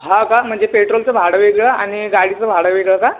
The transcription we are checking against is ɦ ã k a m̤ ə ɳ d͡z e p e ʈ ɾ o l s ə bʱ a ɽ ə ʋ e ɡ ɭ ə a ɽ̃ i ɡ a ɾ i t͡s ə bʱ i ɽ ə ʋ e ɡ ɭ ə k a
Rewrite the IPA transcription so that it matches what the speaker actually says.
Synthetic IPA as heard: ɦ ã k a m̤ ə ɳ d͡z e p e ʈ ɾ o l t͡s ə bʱ a ɽ ə ʋ e ɡ ɭ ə a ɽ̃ i ɡ a ɽ i t͡s ə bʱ a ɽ ə ʋ e ɡ ɭ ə k a